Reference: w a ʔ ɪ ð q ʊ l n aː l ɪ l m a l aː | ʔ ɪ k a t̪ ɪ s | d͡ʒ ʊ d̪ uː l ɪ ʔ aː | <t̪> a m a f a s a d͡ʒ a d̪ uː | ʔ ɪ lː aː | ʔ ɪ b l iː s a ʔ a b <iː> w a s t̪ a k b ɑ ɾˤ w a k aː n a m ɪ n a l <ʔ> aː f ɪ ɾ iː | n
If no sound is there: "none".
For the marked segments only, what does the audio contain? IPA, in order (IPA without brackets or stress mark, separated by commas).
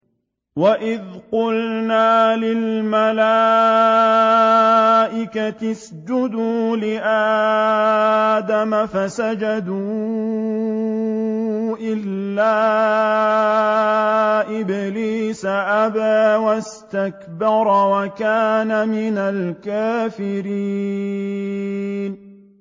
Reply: d̪, aː, k